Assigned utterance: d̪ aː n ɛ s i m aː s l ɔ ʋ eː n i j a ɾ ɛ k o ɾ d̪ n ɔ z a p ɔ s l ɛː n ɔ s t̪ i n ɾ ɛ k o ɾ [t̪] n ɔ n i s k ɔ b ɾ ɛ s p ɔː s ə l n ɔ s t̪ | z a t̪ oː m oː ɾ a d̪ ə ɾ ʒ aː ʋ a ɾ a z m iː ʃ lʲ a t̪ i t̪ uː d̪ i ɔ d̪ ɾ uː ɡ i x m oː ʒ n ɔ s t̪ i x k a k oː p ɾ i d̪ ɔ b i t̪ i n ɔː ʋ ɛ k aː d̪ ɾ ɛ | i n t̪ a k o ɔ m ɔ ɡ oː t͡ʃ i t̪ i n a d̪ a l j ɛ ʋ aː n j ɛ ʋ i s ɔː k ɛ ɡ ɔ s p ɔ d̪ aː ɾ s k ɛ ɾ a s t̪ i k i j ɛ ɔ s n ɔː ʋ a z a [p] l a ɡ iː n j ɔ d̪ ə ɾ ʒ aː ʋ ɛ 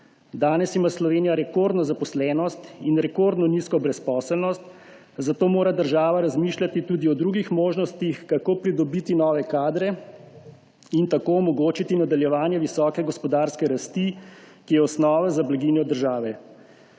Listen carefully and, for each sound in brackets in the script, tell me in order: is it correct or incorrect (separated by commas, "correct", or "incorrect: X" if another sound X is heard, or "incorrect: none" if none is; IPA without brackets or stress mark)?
incorrect: d̪, incorrect: b